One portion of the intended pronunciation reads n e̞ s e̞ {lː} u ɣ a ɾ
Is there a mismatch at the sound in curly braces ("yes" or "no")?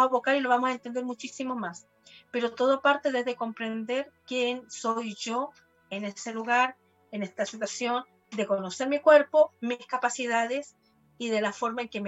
yes